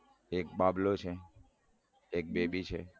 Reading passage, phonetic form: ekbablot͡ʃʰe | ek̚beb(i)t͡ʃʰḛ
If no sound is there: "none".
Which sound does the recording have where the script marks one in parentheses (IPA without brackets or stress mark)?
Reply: i